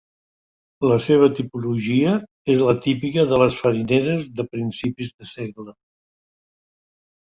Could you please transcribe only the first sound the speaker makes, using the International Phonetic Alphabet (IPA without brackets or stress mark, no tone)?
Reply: l